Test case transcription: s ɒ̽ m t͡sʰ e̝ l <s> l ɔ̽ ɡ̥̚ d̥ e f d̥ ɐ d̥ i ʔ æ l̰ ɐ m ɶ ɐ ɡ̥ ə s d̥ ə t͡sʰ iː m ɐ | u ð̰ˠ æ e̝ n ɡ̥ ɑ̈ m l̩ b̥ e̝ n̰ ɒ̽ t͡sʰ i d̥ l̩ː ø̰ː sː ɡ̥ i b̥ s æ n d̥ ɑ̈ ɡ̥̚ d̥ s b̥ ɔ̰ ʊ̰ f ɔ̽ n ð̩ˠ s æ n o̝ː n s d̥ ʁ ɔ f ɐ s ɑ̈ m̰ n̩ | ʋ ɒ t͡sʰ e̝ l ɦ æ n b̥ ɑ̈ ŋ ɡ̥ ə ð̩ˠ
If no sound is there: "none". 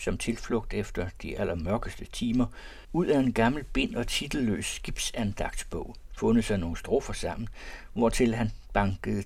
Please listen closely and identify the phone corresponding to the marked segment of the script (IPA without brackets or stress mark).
f